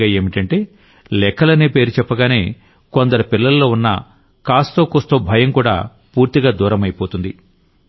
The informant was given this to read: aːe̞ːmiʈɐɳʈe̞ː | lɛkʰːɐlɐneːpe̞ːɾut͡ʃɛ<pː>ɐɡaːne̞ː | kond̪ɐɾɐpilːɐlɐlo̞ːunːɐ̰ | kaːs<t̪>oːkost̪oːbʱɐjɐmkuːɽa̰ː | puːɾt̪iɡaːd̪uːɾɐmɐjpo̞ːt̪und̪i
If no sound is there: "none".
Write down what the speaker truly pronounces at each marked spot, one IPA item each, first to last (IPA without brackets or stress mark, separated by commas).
pː, t̪